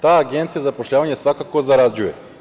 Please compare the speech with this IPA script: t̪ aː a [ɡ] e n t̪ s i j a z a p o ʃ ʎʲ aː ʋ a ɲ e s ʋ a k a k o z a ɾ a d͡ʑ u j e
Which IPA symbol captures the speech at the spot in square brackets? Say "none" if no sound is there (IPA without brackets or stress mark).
ɡ